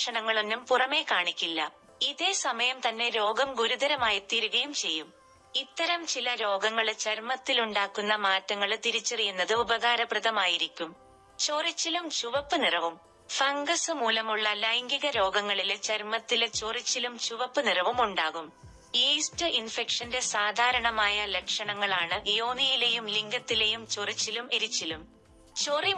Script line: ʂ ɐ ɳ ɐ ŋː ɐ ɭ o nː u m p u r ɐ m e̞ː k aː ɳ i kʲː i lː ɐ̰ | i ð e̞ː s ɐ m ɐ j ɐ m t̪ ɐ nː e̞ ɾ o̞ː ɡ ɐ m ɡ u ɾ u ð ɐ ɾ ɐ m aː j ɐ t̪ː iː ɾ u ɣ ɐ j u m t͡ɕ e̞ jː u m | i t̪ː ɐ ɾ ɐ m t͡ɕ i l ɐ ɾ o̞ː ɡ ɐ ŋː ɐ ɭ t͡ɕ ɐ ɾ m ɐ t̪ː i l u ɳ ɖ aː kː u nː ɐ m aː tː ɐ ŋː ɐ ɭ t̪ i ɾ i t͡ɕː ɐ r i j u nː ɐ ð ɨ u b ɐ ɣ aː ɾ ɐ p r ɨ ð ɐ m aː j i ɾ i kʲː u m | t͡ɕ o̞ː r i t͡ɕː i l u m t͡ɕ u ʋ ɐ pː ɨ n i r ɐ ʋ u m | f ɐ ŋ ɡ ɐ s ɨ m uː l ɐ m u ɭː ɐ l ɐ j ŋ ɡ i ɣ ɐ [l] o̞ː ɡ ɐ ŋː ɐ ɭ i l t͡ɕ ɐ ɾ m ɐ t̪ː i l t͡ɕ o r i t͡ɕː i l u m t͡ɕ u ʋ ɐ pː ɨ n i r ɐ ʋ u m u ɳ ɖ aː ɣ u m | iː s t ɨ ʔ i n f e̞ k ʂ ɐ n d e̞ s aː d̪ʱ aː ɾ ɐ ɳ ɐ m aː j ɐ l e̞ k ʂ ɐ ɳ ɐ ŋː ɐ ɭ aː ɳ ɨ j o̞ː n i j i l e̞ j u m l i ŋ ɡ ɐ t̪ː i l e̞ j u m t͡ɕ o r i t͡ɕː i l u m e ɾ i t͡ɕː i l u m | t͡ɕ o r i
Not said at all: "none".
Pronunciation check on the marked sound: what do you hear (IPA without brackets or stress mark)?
ɾ